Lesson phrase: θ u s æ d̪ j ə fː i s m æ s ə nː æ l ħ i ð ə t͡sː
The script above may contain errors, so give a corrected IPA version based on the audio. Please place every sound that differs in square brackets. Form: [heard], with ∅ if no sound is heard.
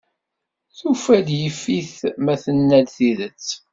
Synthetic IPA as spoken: θ u [f] æ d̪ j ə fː i [θ] m æ [θ] ə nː æ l [θ] i ð ə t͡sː